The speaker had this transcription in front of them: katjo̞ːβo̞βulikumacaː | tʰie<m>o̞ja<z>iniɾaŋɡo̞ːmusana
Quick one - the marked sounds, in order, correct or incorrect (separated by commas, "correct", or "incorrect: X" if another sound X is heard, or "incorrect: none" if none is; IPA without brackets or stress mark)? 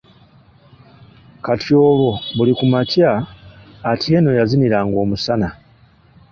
incorrect: n, correct